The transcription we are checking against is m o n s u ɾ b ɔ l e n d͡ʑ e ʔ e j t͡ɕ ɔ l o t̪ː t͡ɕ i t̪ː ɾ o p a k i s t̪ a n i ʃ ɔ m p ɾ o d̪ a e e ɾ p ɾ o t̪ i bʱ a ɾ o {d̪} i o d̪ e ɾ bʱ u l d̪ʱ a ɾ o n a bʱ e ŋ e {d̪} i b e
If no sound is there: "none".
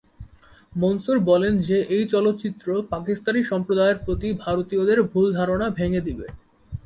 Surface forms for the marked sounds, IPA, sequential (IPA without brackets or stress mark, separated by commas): t̪, d̪